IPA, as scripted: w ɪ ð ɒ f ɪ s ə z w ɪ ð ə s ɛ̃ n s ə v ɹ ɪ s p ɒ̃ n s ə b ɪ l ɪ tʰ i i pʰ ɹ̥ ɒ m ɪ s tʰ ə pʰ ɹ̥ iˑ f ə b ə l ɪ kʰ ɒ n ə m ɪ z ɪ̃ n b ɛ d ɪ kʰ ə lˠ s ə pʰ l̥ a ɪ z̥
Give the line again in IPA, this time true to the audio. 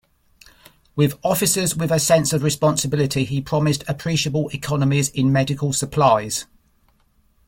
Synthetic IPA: w ɪ ð ɒ f ɪ s ə z w ɪ ð ə s ɛ̃ n s ə v ɹ ɪ s p ɒ̃ n s ə b ɪ l ɪ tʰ i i pʰ ɹ̥ ɒ m ɪ s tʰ ə pʰ ɹ̥ iˑ ʃ ə b ə l ɪ kʰ ɒ n ə m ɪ z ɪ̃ n m ɛ d ɪ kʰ ə lˠ s ə pʰ l̥ a ɪ z̥